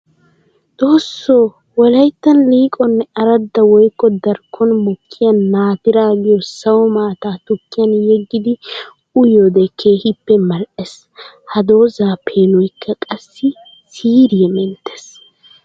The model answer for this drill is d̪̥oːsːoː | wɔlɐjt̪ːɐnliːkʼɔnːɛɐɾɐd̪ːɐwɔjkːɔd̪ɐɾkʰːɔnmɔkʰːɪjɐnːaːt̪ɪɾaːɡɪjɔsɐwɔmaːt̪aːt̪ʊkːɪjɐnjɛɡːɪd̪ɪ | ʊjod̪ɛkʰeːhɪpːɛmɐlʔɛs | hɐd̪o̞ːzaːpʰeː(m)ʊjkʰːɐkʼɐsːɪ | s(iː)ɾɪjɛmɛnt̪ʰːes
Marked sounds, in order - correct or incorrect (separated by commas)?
incorrect, correct